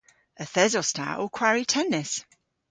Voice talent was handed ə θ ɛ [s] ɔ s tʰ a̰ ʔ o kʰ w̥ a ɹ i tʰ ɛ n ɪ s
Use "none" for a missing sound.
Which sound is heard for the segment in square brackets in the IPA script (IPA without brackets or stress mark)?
z